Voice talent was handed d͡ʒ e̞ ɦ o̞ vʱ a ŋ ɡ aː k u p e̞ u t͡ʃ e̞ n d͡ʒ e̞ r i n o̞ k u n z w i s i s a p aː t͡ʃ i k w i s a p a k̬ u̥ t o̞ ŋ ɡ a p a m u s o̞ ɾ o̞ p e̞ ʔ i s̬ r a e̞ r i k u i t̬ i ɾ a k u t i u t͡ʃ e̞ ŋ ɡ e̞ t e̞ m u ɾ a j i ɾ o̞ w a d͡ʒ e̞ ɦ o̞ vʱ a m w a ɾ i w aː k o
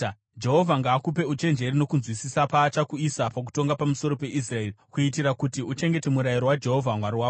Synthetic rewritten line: d͡ʒ e̞ ɦ o̞ vʱ a ŋ ɡ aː k u p e̞ u t͡ʃ e̞ n d͡ʒ e̞ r i n o̞ k u n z w i s i s a p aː t͡ʃ a k u i s a p a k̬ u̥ t o̞ ŋ ɡ a p a m u s o̞ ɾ o̞ p e̞ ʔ i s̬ r a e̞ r i k u i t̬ i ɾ a k u t i u t͡ʃ e̞ ŋ ɡ e̞ t e̞ m u ɾ a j i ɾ o̞ w a d͡ʒ e̞ ɦ o̞ vʱ a m w a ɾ i w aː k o